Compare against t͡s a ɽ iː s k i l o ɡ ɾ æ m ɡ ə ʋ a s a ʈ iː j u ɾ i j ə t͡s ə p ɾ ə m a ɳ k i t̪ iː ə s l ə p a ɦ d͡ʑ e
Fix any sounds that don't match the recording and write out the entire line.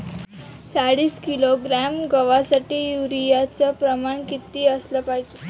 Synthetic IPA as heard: t͡s a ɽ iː s k i l o ɡ ɾ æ m ɡ ə ʋ a s a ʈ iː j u ɾ i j a t͡s ə p ɾ ə m a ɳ k i t̪ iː ə s l ə p a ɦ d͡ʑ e